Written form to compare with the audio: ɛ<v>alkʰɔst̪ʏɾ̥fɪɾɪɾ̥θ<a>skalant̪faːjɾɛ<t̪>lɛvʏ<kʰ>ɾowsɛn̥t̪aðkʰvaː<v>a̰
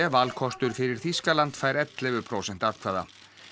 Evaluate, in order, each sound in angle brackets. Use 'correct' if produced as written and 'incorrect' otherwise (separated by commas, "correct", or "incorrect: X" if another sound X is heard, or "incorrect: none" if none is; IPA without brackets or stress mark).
correct, incorrect: i, correct, incorrect: pʰ, incorrect: ð